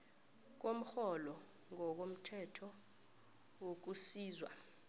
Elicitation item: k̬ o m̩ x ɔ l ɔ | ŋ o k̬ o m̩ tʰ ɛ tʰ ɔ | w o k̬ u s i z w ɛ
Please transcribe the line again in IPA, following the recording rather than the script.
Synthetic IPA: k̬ o m̩ x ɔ l ɔ | ŋ ɔ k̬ o m̩ tʰ ɛ tʰ ɔ | w o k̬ u s iː z w a